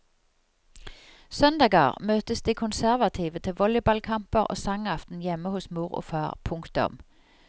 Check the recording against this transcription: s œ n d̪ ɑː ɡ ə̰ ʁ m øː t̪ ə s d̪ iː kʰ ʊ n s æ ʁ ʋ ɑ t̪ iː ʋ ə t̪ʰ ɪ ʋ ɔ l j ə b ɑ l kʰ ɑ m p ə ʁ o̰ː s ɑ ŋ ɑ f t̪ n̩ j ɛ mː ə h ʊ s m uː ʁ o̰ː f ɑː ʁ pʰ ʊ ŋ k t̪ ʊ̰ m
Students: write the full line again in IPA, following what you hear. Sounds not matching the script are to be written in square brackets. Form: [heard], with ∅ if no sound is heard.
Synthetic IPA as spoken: s œ n d̪ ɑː ɡ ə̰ ʁ m øː t̪ ə s d̪ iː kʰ ʊ n s æ ʁ ʋ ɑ [t̪ʰ] iː ʋ ə t̪ʰ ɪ ʋ ɔ l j ə b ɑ l kʰ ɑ m p ə ʁ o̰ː s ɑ ŋ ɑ f t̪ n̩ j ɛ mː ə h ʊ s m uː ʁ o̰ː f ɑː ʁ pʰ ʊ ŋ k t̪ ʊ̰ m